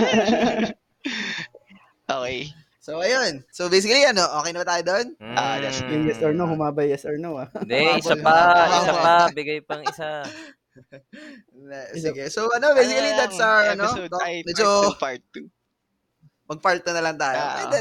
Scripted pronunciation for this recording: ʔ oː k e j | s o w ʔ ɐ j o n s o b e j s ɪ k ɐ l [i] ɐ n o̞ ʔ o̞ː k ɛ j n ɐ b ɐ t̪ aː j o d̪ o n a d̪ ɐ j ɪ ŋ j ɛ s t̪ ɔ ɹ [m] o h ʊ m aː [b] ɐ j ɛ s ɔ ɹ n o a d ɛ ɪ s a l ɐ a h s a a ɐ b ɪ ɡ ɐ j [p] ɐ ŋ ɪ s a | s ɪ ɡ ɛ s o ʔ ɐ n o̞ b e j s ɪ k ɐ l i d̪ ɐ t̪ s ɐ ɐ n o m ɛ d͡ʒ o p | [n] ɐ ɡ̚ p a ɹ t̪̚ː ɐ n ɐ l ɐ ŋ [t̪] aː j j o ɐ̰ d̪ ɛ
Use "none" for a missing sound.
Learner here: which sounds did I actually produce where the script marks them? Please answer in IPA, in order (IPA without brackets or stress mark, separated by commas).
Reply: i, n, b, p, m, t̪